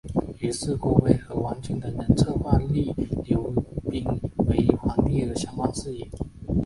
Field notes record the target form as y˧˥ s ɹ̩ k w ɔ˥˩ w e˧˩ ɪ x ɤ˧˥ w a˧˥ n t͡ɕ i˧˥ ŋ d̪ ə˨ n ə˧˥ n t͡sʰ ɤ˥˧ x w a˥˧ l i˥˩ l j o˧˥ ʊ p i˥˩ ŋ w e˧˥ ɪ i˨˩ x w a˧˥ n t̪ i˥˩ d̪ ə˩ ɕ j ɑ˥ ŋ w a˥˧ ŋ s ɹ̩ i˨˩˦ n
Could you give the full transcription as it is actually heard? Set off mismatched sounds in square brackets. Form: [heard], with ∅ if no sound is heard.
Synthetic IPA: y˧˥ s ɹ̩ k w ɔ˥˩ w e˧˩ ɪ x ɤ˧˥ w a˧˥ n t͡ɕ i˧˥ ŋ d̪ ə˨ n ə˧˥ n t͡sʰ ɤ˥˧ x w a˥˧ l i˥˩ l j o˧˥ ʊ p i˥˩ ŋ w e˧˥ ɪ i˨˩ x w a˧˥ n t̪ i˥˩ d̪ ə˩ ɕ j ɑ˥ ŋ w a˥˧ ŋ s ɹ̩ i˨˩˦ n